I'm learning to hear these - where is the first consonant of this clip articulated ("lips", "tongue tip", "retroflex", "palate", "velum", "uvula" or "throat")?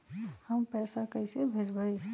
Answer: throat